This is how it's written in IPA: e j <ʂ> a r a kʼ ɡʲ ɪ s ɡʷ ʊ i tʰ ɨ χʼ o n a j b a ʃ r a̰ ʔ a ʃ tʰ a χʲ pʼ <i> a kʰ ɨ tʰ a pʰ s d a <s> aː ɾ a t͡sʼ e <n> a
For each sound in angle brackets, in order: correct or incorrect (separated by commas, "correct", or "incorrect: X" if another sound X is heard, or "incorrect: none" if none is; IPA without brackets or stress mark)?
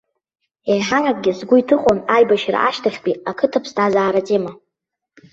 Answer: incorrect: ħ, correct, incorrect: z, incorrect: m